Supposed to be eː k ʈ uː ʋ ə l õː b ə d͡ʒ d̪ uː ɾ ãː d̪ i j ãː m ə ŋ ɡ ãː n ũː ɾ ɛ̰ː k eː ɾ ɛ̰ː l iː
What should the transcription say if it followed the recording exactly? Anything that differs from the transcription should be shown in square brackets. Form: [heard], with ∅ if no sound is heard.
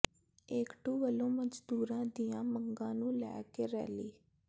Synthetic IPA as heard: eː k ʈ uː ʋ ə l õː [m] ə d͡ʒ d̪ uː ɾ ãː d̪ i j ãː m ə ŋ ɡ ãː n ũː [l] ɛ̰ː k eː ɾ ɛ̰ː l iː